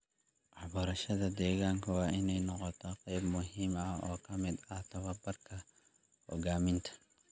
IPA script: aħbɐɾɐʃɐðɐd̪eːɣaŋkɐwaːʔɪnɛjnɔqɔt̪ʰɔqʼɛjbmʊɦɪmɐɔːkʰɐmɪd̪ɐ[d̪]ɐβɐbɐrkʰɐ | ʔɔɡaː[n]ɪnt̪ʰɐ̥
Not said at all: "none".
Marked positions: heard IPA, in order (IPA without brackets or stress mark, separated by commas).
t̪, m